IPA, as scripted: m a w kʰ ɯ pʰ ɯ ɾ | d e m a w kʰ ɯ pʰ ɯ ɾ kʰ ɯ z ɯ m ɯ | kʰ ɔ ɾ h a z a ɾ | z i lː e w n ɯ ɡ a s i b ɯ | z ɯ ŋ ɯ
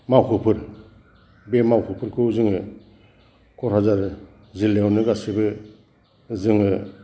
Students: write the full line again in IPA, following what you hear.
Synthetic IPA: m a w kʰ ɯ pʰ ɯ ɾ | b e m a w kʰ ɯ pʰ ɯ ɾ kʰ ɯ z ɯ ŋ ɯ | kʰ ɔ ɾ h a z a ɾ | z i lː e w n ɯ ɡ a s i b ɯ | z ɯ ŋ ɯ